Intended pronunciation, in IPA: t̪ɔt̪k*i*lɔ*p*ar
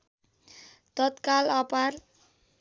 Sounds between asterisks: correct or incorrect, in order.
incorrect: a, correct

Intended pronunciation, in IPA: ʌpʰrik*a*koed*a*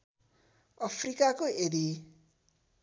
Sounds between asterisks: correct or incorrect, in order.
correct, incorrect: i

